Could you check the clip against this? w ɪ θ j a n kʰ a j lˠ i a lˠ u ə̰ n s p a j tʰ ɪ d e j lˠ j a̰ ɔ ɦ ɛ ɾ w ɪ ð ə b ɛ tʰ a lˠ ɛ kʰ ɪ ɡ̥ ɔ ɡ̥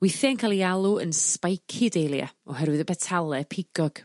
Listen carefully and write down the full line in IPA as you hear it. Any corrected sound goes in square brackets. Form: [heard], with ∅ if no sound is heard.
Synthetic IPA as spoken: w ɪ θ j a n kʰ a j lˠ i a lˠ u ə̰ n s p a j [kʰ] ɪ d e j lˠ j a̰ ɔ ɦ ɛ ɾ w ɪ ð ə b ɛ tʰ a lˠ ɛ [pʰ] ɪ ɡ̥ ɔ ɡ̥